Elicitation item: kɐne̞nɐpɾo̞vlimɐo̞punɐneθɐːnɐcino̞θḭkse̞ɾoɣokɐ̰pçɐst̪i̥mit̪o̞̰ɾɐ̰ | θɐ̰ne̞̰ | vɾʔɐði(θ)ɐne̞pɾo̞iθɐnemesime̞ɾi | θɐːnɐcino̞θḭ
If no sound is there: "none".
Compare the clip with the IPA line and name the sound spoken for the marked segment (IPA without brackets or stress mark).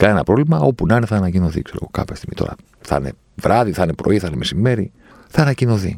θ